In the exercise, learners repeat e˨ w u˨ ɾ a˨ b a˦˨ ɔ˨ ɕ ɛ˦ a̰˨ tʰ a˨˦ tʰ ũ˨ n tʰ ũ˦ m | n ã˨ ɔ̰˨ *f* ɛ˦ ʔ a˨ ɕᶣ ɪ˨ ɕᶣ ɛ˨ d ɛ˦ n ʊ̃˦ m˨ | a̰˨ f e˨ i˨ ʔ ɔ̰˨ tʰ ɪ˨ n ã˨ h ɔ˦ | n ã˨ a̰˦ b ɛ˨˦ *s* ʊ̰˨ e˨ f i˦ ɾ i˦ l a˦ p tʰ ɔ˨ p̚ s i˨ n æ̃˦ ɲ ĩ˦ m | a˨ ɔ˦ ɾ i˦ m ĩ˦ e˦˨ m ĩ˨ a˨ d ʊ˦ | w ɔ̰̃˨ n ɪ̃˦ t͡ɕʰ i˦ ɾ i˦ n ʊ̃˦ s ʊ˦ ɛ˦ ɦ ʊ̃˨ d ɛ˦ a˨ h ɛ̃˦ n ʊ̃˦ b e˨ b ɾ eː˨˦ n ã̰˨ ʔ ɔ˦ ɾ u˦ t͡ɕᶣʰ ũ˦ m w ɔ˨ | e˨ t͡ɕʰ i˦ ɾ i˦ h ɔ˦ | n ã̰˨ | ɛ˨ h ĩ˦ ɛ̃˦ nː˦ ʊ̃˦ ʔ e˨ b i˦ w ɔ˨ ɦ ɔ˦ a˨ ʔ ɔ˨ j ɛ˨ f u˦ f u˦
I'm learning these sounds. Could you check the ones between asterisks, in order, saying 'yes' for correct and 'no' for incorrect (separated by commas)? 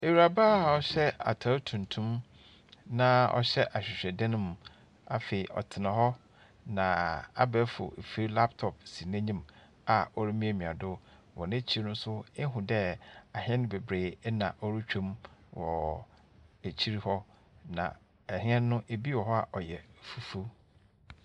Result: no, no